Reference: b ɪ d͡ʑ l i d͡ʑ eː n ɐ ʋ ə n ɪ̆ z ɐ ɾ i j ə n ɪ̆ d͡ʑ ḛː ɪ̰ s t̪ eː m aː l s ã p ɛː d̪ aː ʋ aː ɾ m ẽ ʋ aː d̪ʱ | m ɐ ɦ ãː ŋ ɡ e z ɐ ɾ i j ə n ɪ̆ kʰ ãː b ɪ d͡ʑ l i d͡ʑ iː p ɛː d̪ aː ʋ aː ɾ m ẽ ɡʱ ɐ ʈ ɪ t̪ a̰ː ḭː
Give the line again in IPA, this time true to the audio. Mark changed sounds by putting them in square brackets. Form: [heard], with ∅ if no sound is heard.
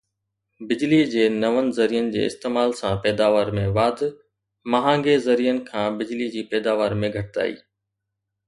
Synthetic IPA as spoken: b ɪ d͡ʑ l i d͡ʑ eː n ɐ ʋ ə n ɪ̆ z ɐ ɾ i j ə n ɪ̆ d͡ʑ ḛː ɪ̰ s t̪ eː m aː l s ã p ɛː d̪ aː ʋ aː ɾ m ẽ ʋ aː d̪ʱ | m ɐ ɦ ãː ŋ ɡ e z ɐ ɾ i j ə n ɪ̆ kʰ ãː b ɪ d͡ʑ l i d͡ʑ iː p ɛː d̪ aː ʋ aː ɾ m ẽ ɡʱ ɐ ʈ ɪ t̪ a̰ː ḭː